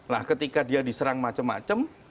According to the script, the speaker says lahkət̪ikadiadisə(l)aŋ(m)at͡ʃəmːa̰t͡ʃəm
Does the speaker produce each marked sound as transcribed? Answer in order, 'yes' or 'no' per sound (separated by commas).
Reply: no, yes